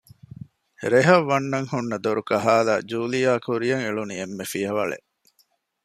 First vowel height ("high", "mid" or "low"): mid